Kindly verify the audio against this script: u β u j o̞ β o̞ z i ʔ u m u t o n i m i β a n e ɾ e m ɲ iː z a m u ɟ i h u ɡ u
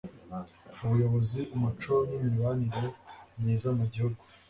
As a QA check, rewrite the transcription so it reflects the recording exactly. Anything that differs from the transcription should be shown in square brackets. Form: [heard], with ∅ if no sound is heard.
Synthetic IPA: u β u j o̞ β o̞ z i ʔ u m u [t͡ʃ] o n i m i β a n [i] ɾ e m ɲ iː z a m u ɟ i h u ɡ u